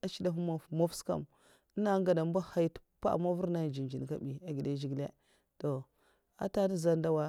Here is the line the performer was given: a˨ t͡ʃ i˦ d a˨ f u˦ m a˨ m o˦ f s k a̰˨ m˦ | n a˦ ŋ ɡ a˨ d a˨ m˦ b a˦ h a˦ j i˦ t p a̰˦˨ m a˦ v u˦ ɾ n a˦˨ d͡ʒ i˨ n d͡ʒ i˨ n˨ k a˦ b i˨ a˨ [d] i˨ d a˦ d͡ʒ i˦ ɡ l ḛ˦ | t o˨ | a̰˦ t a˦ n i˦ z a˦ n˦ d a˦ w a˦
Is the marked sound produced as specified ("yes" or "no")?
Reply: no